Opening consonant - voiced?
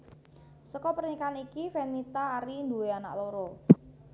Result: no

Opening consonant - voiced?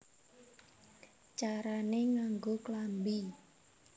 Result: no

